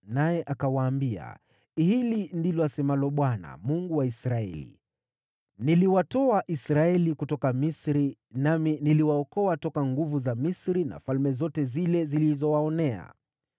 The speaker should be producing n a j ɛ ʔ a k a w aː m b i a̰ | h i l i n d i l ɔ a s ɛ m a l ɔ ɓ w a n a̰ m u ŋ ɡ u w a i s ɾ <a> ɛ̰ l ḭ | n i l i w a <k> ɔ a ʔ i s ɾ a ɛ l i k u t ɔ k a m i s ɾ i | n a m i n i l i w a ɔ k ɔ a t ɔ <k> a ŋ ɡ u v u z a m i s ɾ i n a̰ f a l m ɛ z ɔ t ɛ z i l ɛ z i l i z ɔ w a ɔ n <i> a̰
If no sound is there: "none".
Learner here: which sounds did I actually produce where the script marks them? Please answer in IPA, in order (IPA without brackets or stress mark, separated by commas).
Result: a, t, k, ɛ